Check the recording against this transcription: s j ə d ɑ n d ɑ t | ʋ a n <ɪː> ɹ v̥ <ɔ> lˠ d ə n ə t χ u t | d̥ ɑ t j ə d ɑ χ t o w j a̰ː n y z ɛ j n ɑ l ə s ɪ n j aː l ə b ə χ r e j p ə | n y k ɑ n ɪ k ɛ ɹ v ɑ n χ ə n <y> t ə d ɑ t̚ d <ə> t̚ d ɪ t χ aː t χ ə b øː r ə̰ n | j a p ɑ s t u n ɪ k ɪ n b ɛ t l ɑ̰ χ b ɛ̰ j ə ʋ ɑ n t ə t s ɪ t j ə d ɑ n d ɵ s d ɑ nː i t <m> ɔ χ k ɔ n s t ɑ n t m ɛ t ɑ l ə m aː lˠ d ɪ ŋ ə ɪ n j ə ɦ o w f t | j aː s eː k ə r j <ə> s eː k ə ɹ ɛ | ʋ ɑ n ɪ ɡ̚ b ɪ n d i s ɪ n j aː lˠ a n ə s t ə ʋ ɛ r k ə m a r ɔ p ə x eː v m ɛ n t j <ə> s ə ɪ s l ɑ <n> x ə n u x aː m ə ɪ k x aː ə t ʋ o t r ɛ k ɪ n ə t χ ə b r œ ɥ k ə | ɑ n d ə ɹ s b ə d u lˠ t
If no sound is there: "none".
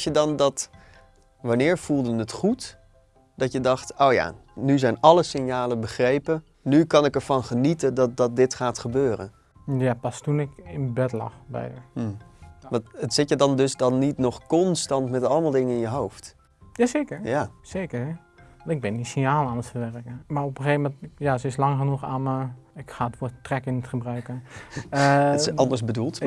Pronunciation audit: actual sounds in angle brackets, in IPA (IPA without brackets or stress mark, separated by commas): ɪː, u, i, ɑ, n, a, a, ŋ